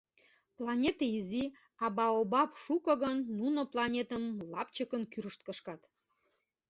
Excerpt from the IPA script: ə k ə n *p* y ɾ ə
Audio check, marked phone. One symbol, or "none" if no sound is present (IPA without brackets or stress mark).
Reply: k